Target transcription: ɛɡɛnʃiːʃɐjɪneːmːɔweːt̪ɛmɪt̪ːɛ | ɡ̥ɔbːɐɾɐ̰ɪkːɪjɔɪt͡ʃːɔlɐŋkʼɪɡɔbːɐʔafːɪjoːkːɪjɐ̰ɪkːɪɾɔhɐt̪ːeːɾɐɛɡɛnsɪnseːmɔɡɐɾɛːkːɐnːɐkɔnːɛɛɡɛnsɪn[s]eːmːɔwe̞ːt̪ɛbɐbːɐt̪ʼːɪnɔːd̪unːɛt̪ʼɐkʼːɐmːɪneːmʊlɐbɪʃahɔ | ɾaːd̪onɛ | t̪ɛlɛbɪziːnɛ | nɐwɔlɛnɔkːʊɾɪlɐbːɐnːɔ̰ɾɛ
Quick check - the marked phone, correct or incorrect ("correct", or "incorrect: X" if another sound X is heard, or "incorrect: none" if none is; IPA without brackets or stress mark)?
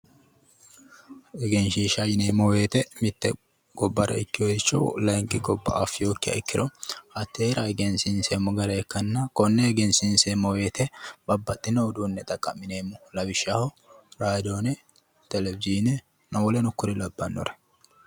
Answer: correct